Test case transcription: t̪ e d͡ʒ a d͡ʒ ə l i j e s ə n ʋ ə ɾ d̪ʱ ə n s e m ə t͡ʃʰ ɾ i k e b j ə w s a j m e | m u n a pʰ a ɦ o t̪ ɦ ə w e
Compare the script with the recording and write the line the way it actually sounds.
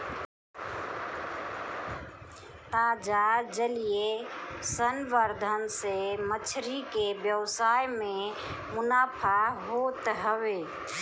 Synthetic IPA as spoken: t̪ a d͡ʒ a d͡ʒ ə l i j e s ə n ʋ ə ɾ d̪ʱ ə n s e m ə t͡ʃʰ ɾ i k e b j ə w s a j m e | m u n a pʰ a ɦ o t̪ ɦ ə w e